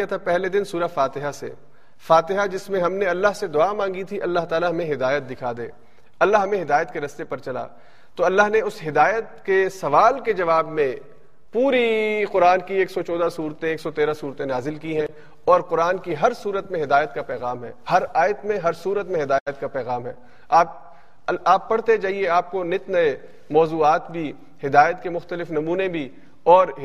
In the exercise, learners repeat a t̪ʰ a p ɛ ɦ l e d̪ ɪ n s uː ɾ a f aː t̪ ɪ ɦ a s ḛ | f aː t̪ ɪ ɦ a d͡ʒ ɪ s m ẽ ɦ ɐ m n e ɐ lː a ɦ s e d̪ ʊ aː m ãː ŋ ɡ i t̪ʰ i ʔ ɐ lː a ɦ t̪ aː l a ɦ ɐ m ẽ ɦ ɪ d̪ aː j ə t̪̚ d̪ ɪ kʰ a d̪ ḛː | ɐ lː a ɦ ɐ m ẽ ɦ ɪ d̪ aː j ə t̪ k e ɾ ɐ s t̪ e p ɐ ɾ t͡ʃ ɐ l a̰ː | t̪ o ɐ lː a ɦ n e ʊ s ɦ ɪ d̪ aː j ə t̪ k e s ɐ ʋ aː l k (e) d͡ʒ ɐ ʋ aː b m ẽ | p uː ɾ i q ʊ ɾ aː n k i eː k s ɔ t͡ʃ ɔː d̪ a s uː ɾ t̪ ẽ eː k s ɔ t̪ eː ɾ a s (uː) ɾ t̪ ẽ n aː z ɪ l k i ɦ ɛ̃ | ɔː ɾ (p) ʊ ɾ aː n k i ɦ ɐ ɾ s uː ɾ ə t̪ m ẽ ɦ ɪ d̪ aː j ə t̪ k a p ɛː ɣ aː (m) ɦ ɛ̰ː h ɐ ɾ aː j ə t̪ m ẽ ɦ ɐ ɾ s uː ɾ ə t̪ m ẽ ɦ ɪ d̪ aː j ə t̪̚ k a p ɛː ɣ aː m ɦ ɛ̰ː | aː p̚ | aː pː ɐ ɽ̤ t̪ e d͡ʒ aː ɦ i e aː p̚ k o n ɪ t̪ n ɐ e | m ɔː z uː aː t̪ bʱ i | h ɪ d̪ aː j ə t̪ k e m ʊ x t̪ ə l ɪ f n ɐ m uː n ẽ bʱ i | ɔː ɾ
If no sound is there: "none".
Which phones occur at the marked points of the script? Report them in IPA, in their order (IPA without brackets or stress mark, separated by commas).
e, uː, q, m